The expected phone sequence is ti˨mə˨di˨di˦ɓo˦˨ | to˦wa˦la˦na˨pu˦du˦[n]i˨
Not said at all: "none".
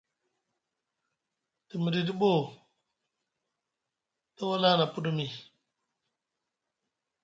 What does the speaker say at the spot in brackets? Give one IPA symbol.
m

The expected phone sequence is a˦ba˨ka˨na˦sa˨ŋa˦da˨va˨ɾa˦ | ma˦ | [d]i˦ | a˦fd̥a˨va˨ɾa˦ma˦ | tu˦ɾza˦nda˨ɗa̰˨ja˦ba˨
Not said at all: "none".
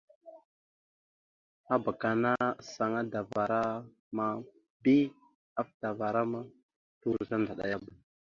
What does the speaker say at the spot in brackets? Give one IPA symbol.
b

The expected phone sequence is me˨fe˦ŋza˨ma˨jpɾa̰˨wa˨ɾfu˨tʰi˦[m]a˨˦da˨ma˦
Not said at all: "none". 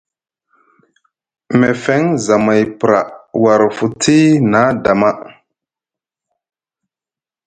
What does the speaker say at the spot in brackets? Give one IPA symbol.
n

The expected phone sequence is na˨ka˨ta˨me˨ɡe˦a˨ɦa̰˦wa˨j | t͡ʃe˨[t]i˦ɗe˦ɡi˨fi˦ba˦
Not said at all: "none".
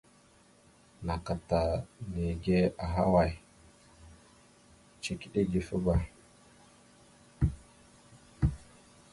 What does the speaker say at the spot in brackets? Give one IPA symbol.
k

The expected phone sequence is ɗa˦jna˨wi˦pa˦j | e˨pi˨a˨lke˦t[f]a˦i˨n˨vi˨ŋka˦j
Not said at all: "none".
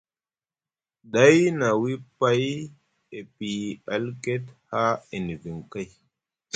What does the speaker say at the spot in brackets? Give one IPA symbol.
h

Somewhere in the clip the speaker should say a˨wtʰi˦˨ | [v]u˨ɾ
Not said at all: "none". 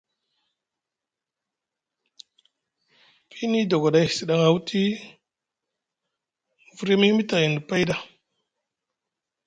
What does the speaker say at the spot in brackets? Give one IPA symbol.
v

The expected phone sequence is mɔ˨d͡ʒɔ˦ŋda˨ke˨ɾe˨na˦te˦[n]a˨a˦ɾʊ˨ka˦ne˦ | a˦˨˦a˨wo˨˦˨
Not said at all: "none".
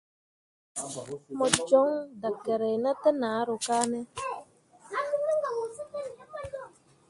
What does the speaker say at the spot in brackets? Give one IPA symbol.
n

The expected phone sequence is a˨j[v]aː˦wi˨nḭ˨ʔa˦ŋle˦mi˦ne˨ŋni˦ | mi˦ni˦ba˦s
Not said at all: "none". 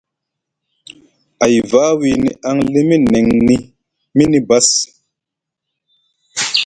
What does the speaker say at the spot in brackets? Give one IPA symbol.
v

